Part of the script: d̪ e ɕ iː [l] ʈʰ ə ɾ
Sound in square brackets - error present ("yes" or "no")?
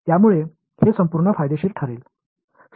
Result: yes